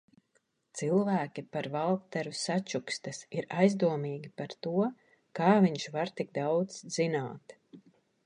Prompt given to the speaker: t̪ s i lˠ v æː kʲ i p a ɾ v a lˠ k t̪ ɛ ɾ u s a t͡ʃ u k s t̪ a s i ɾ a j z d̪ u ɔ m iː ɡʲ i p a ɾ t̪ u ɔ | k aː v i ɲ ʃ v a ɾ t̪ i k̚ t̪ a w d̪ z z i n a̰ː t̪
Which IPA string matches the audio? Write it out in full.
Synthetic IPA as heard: t̪ s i lˠ v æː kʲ i p a ɾ v a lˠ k t̪ ɛ ɾ u s a t͡ʃ u k s t̪ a s i ɾ a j z d̪ u ɔ m iː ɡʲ i p a ɾ t̪ u ɔ | k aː v i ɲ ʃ v a ɾ t̪ i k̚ d̪ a w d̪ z z i n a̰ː t̪